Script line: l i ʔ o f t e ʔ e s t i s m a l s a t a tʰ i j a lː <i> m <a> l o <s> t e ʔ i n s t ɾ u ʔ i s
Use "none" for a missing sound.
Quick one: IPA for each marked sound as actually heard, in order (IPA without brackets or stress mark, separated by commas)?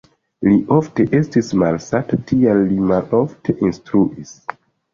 i, a, f